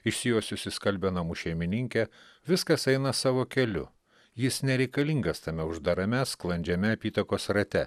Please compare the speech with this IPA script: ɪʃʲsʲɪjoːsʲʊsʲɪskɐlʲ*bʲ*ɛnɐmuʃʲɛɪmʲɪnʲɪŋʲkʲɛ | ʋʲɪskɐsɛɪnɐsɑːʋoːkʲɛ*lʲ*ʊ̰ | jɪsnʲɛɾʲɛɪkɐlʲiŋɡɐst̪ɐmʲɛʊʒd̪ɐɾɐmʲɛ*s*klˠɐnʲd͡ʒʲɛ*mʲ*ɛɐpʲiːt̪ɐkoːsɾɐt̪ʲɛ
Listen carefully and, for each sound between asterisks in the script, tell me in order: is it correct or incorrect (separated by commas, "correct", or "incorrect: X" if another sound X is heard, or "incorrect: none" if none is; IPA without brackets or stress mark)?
correct, correct, correct, correct